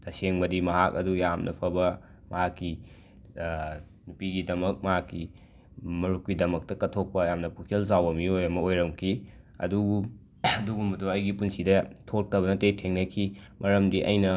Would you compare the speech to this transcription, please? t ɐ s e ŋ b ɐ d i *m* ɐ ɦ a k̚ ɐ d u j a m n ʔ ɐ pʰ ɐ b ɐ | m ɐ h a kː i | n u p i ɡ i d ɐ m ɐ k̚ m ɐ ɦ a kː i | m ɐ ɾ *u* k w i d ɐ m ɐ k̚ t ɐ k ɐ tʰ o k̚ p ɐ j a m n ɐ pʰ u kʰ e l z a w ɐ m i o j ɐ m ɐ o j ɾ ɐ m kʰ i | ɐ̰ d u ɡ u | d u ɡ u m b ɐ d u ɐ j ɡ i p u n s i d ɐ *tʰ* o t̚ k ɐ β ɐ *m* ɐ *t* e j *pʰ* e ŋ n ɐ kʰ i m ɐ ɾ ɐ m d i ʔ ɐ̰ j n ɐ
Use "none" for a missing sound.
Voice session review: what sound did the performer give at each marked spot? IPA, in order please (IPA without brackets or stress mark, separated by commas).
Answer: m, u, tʰ, n, t, tʰ